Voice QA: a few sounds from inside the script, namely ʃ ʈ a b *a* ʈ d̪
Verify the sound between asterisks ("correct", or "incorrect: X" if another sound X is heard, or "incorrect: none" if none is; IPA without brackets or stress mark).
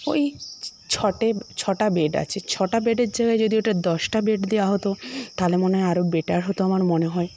incorrect: e